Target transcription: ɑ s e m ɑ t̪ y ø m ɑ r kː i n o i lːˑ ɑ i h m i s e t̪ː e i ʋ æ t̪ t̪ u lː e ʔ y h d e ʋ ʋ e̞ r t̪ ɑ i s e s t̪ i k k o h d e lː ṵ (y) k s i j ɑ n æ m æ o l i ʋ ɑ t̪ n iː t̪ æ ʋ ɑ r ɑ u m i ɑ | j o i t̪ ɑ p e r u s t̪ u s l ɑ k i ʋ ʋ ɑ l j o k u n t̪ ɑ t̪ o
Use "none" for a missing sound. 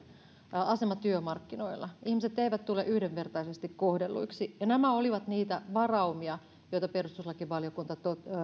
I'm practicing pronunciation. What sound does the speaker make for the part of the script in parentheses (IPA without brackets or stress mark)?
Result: i